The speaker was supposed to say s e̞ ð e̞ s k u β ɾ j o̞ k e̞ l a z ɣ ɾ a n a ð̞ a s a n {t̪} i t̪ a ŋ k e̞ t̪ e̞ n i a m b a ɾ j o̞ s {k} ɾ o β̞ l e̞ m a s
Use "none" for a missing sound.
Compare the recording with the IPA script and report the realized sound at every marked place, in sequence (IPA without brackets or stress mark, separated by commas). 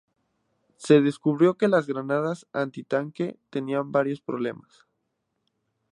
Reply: t̪, p